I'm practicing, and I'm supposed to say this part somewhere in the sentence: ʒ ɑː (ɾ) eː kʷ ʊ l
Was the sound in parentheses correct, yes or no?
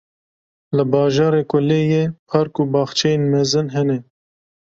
yes